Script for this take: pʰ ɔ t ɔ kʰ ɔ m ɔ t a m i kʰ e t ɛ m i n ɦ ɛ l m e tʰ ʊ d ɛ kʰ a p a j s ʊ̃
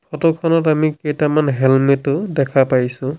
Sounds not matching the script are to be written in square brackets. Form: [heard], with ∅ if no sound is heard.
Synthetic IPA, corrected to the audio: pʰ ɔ t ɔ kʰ ɔ [n] ɔ t a m i [k] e t [a] m [a] n ɦ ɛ l m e [t] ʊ d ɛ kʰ a p a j s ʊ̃

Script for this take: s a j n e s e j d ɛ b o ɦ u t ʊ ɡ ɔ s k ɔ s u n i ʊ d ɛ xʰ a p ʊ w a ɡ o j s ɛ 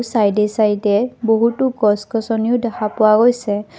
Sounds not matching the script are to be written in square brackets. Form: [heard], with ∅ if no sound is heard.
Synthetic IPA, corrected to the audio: s a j [d] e s [a] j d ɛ b o ɦ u t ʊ ɡ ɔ s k ɔ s [ɔ] n i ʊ d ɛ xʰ a p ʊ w a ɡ o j s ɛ

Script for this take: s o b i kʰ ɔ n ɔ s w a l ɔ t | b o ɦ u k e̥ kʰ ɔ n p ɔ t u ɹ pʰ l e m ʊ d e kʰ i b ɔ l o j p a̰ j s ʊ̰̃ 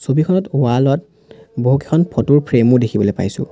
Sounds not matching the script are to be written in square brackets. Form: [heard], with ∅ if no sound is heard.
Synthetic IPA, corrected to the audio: s o b i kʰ ɔ n ɔ [t] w a l ɔ t | b o ɦ u k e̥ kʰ ɔ n [pʰ] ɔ t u ɹ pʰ [ɹ] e m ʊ d e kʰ i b ɔ l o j p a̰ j s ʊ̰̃

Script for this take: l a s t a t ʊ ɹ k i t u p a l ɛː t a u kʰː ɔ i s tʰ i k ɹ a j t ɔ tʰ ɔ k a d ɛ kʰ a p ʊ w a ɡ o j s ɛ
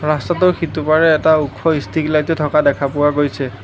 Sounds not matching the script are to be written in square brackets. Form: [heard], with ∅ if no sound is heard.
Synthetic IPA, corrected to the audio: [ɹ] a s t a t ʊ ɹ [x] i t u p a [ɹ] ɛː t a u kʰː ɔ i s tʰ i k [l] a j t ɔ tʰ ɔ k a d ɛ kʰ a p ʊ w a ɡ o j s ɛ

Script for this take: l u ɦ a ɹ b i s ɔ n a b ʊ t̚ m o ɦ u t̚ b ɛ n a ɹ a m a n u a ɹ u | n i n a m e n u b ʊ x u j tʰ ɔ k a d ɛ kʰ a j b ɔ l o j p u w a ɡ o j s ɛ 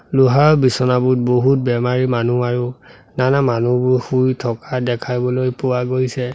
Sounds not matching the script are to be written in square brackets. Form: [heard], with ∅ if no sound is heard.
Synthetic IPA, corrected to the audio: l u ɦ a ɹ b i s ɔ n a b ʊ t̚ [b] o ɦ u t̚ b ɛ [m] a ɹ [i] m a n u a ɹ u | n [a] n a m [a] n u b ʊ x u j tʰ ɔ k a d ɛ kʰ a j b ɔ l o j p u w a ɡ o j s ɛ

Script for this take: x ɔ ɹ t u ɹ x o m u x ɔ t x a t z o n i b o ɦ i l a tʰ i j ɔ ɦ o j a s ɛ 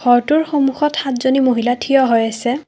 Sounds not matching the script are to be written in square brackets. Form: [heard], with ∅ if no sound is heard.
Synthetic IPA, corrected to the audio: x ɔ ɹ t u ɹ x o m u x ɔ t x a t z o n i [m] o ɦ i l a tʰ i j ɔ ɦ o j a s ɛ

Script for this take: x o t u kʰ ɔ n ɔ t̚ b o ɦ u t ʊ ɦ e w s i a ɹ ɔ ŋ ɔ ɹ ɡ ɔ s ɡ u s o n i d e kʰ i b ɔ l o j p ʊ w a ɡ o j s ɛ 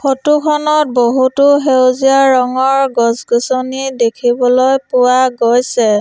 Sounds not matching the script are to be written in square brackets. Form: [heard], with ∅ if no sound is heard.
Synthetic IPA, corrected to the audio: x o t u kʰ ɔ n ɔ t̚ b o ɦ u t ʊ ɦ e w [z] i a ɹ ɔ ŋ ɔ ɹ ɡ ɔ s ɡ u s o n i d e kʰ i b ɔ l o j p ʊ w a ɡ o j s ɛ

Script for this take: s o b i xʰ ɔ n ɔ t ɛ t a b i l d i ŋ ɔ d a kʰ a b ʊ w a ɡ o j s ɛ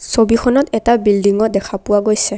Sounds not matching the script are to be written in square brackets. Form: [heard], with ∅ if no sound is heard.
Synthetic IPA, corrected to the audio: s o b i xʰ ɔ n ɔ t ɛ t a b i l d i ŋ ɔ d [ɛ] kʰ a [p] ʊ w a ɡ o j s ɛ

